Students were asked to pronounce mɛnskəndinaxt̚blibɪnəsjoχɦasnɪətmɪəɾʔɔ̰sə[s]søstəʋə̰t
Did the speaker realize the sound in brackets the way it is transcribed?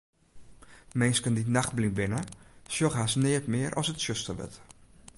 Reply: no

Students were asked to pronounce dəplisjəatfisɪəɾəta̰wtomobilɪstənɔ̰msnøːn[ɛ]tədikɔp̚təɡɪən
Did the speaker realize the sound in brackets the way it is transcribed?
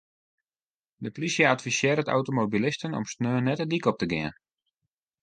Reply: yes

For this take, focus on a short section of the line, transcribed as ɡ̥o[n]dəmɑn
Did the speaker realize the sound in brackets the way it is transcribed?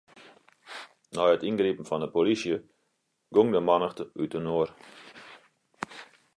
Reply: no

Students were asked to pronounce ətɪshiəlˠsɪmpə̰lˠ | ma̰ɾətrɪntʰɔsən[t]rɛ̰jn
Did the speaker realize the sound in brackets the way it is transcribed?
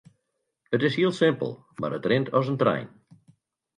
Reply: yes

